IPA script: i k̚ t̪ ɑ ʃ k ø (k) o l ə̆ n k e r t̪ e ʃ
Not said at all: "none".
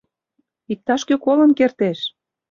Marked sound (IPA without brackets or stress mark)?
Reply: k